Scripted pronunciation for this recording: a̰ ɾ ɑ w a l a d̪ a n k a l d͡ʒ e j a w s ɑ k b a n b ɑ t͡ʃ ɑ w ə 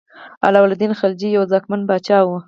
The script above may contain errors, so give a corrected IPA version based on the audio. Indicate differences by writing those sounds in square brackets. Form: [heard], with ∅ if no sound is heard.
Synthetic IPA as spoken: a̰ [l] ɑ w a l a d̪ [i] n [x] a l d͡ʒ [i] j a w [z] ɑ k [m] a n b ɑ t͡ʃ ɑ w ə

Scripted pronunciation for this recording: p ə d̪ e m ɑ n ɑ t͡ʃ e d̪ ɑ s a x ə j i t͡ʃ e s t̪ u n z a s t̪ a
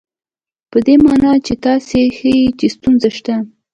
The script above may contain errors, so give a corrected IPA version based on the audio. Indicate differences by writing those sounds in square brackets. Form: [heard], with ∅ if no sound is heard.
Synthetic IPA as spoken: p ə d̪ e m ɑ n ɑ t͡ʃ e [t̪] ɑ s [e] x ə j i t͡ʃ e s t̪ u n z a [ʃ] t̪ a

